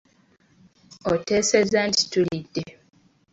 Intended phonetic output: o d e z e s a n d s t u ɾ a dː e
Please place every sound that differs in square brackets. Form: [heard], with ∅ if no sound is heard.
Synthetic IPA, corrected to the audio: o [t] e [s] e [z] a n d s t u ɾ [i] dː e